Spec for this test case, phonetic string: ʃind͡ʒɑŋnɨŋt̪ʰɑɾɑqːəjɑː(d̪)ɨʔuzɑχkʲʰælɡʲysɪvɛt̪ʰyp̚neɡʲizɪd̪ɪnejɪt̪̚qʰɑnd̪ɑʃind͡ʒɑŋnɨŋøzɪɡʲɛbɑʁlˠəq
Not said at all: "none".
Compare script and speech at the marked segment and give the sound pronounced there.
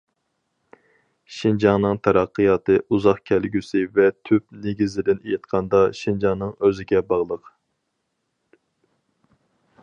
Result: t̪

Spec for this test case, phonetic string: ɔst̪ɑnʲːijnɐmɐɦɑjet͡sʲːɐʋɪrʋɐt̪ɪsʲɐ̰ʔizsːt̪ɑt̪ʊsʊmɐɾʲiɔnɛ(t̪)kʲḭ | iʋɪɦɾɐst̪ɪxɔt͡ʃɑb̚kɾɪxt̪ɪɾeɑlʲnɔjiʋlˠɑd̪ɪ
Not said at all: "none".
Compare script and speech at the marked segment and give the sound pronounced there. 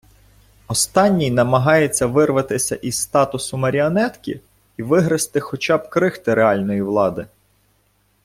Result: t̪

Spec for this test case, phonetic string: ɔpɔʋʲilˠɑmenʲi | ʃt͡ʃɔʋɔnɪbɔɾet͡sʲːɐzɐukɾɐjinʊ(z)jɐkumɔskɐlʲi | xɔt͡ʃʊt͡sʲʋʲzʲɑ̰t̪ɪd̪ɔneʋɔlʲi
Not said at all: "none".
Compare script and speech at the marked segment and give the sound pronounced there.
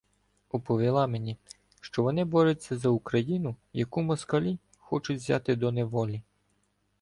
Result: none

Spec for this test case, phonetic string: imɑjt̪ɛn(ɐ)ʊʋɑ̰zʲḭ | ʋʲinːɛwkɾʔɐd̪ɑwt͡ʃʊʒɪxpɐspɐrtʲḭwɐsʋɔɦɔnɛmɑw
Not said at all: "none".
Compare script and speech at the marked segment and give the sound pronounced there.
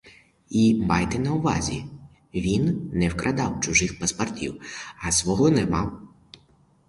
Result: ɐ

